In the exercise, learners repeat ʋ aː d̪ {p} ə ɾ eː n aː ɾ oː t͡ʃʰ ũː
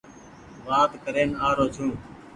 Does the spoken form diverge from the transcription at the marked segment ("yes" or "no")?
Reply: yes